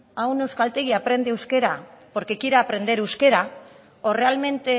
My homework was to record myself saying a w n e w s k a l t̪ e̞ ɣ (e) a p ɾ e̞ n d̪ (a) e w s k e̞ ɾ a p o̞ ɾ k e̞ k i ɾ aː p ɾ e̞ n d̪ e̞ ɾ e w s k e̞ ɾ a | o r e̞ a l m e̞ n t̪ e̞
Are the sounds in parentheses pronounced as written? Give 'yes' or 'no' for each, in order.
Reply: no, no

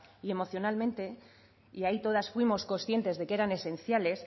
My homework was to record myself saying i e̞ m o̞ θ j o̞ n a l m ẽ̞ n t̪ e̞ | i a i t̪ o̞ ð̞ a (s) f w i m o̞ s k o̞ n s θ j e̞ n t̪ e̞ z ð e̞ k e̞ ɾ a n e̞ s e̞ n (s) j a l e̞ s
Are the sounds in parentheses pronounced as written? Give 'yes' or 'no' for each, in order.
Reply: yes, no

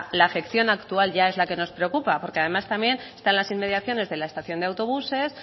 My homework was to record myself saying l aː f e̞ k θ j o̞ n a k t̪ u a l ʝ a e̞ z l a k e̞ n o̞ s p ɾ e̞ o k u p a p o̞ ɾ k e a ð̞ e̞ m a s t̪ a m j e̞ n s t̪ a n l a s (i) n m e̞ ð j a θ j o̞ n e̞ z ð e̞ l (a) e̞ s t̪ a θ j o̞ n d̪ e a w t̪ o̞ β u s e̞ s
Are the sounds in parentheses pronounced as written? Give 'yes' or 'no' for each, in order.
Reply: yes, yes

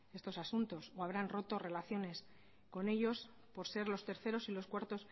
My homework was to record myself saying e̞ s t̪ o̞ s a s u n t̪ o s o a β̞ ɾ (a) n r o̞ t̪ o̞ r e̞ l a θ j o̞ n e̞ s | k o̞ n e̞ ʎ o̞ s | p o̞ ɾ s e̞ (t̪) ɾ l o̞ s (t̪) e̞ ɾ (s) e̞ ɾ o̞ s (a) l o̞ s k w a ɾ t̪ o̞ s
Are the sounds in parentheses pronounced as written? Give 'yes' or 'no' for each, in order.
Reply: yes, no, yes, no, no

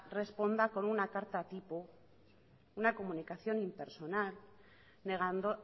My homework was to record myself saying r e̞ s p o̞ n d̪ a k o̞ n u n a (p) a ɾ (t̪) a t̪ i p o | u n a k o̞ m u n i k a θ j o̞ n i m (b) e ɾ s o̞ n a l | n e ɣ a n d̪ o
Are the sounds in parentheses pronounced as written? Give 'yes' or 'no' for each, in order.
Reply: no, yes, no

